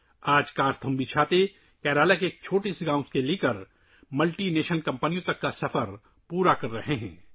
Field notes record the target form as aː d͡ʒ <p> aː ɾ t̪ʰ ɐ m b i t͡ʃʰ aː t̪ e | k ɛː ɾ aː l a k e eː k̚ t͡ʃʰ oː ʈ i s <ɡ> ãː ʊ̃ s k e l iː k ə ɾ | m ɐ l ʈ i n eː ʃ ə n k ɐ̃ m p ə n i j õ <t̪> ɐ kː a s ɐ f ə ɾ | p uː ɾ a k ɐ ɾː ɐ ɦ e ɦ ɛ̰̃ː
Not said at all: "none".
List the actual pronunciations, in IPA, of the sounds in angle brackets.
k, ɡ, t̪

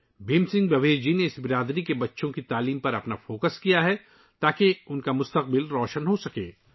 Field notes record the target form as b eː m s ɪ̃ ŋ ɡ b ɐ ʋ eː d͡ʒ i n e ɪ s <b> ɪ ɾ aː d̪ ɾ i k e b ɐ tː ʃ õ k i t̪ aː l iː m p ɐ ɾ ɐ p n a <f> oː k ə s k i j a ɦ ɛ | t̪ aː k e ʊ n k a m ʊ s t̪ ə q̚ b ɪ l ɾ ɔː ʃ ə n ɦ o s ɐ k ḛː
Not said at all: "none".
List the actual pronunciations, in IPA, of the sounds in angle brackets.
b, f

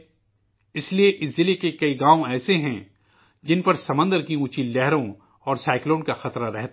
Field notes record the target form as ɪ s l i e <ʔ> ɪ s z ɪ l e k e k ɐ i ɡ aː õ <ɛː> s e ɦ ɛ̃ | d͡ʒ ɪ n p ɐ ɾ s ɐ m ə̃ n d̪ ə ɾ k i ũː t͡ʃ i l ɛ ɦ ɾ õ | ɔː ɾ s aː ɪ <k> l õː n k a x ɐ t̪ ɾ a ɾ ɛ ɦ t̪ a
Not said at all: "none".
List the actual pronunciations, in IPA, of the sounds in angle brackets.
ʔ, ɛː, k

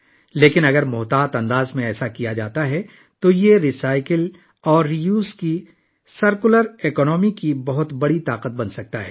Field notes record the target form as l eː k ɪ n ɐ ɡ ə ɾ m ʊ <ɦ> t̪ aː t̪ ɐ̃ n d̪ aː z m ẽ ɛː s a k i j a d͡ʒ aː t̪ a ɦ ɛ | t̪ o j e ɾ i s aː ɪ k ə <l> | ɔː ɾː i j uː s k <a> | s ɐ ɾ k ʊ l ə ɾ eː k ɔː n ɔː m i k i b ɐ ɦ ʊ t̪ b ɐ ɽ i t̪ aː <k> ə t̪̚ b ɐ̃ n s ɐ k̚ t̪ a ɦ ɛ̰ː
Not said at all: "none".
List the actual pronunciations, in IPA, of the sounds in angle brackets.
ɦ, l, i, q

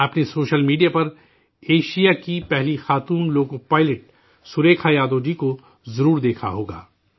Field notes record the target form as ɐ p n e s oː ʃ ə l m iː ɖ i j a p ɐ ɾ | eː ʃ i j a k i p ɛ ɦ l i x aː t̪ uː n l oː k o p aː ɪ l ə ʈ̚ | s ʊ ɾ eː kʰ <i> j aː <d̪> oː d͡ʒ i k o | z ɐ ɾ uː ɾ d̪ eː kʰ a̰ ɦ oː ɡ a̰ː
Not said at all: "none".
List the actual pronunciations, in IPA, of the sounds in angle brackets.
a, d̪

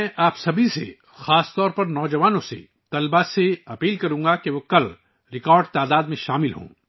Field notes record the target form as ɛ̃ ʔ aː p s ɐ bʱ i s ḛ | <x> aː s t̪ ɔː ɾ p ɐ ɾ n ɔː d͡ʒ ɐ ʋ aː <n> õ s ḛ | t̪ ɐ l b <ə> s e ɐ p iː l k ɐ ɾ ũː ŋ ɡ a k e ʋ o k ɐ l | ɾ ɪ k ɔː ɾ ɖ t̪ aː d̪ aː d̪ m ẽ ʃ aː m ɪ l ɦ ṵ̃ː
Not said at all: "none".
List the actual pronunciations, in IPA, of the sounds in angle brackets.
x, n, a

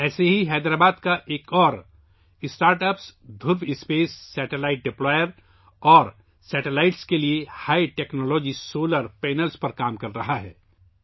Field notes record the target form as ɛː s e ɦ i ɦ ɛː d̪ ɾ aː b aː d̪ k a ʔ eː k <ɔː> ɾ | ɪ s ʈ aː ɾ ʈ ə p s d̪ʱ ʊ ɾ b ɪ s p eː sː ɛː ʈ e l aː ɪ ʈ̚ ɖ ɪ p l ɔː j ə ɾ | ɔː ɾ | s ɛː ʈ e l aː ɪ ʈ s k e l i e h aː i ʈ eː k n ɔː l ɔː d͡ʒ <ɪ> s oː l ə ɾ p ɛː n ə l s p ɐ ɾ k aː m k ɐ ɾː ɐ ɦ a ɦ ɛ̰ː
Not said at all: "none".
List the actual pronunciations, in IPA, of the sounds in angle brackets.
ɔː, i

